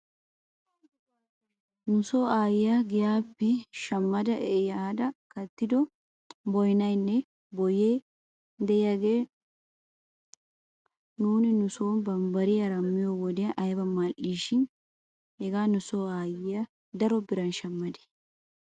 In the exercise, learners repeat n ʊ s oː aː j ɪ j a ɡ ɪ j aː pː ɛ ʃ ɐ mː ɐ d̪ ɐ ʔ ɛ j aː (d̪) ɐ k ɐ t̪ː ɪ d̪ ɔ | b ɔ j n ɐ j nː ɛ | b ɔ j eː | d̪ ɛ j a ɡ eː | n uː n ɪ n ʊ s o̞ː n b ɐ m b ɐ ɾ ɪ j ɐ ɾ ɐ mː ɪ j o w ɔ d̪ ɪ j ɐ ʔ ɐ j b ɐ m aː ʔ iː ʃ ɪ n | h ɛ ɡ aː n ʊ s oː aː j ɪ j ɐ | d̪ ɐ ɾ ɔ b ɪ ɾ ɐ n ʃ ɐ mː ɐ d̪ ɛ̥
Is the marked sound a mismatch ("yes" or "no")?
no